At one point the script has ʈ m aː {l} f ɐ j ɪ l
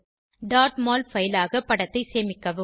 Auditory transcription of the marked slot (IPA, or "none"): l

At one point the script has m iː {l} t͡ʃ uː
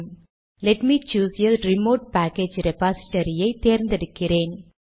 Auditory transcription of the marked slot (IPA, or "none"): none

